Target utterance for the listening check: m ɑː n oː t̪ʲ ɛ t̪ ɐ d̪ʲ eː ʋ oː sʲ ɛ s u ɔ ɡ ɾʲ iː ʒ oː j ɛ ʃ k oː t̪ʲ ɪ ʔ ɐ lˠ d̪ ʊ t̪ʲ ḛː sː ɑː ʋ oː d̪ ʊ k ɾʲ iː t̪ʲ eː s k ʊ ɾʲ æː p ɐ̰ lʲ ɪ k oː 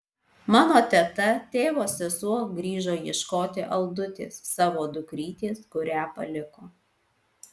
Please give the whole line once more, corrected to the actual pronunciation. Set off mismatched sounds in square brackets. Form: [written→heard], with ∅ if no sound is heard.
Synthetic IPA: m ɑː n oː t̪ʲ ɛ t̪ ɐ [d̪ʲ→t̪ʲ] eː ʋ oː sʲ ɛ s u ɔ ɡ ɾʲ iː ʒ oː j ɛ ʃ k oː t̪ʲ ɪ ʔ ɐ lˠ d̪ ʊ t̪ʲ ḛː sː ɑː ʋ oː d̪ ʊ k ɾʲ iː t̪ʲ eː s k ʊ ɾʲ æː p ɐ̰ lʲ ɪ k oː